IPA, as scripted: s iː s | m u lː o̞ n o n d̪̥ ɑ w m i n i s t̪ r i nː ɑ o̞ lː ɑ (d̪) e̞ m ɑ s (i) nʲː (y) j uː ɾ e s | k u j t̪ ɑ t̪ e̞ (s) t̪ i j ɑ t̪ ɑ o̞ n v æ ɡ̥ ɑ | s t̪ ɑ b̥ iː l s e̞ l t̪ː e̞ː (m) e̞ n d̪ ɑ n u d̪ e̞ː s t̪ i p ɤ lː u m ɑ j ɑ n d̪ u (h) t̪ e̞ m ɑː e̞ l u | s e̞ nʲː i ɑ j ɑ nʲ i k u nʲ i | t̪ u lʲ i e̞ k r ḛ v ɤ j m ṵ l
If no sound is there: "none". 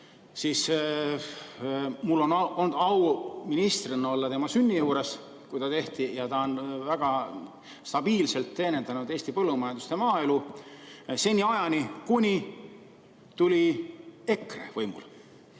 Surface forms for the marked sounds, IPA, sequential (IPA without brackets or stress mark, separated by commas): t̪, y, i, h, n, s